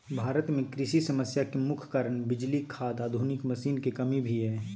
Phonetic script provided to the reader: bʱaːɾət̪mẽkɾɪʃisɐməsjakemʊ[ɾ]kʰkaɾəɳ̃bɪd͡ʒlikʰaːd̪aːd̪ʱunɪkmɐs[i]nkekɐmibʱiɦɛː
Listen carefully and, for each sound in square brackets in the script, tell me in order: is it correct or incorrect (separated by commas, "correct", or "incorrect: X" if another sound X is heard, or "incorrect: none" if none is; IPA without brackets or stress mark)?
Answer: incorrect: none, incorrect: iː